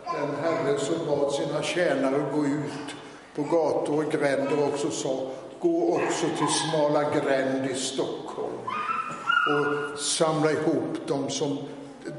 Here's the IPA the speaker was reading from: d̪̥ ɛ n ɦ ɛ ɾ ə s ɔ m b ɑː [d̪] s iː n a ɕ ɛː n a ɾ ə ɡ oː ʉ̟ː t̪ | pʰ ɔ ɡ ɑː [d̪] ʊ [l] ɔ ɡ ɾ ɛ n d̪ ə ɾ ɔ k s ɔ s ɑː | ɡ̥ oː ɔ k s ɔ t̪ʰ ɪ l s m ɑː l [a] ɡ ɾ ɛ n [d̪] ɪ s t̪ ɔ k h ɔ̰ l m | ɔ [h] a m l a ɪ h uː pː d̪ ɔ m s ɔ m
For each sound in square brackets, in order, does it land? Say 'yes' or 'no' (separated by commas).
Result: yes, no, no, yes, yes, no